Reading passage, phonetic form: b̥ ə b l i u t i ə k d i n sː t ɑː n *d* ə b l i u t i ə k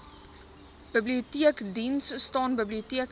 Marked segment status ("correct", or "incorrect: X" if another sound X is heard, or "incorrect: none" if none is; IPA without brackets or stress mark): incorrect: b